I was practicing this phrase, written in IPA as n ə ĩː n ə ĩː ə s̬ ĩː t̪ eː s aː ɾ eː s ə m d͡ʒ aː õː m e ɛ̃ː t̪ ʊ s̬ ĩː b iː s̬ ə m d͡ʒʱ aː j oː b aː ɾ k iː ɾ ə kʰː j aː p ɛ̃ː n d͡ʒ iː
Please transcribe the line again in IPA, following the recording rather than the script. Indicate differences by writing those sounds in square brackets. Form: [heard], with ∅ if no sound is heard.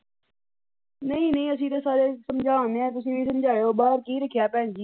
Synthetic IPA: n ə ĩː n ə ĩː ə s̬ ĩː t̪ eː s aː ɾ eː s ə m d͡ʒ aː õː [n] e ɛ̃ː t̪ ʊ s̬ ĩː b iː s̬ ə m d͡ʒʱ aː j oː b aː ɾ k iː ɾ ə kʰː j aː p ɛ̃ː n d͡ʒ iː